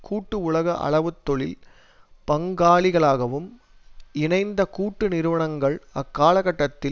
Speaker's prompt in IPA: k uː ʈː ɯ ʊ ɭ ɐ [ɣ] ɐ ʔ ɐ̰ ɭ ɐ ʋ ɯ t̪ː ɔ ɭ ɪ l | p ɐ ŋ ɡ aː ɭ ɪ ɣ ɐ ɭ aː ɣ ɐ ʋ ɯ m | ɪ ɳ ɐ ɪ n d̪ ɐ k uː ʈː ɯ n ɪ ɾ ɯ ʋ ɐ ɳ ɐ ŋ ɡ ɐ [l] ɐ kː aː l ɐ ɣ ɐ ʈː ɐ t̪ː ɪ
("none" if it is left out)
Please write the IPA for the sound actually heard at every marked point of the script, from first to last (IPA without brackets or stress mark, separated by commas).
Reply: ɣ, ɭ